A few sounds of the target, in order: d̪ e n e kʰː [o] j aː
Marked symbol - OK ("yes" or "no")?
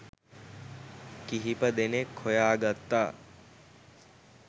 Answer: yes